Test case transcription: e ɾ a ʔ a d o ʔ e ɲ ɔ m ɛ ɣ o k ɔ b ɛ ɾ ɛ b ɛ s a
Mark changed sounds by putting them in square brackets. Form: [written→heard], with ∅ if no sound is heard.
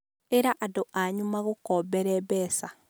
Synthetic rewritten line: e ɾ a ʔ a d o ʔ [e→a] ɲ [ɔ→u] m [ɛ→a] ɣ o k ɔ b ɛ ɾ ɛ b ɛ s a